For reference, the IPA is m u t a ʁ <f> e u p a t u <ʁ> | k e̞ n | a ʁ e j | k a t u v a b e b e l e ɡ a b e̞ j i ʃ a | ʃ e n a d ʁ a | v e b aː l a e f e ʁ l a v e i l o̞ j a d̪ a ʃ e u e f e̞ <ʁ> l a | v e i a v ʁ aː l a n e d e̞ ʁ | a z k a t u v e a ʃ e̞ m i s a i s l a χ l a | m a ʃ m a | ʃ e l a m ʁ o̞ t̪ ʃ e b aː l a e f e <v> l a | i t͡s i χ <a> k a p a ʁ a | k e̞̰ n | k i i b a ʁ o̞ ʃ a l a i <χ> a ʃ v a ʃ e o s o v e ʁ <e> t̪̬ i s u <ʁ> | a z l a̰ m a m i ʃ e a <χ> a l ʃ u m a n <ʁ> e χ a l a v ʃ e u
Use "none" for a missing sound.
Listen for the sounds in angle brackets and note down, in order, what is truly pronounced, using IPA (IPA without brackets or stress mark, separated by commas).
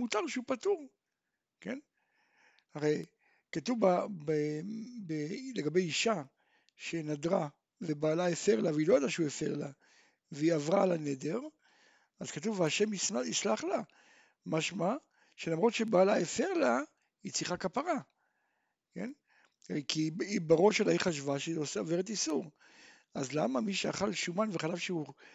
ʃ, ʁ, ʁ, ʁ, a, χ, e, ʁ, χ, v